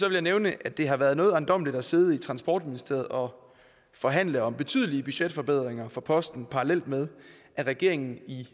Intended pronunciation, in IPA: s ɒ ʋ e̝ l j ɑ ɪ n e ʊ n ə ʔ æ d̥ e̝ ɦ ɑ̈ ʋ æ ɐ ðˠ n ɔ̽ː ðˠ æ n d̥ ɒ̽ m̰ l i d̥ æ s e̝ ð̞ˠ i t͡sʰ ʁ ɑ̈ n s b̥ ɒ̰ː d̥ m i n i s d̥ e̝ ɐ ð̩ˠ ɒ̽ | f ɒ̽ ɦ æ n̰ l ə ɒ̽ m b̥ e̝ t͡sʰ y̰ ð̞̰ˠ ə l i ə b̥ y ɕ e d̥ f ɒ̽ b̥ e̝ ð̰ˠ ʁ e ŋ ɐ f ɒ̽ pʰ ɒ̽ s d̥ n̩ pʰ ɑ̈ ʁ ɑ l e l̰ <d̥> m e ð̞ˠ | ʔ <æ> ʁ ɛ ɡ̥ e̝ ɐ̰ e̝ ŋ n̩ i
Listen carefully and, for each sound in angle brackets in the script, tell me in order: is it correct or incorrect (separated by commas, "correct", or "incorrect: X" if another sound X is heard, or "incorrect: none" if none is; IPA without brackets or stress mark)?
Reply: correct, correct